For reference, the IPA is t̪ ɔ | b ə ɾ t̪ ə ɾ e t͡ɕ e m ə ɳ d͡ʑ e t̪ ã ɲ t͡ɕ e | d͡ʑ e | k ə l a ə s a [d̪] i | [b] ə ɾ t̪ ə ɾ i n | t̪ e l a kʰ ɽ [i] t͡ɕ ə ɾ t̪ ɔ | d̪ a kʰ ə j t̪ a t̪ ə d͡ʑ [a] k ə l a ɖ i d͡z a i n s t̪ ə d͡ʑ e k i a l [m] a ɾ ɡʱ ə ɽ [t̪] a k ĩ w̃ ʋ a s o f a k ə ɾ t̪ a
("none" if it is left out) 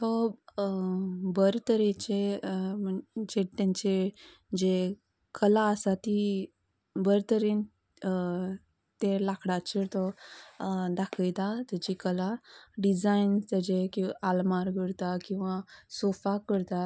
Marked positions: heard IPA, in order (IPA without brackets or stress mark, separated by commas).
t̪, b, a, i, m, t̪